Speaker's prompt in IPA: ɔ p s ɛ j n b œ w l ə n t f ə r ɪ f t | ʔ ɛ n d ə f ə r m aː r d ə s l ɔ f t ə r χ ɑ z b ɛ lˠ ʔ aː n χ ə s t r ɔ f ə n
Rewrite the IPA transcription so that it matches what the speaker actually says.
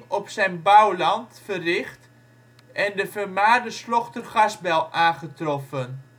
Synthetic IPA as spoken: ɔ p s ɛ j n b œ w l ɑ n t f ə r ɪ χ t | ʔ ɛ n d ə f ə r m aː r d ə s l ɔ χ t ə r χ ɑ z b ɛ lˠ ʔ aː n χ ə t r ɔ f ə n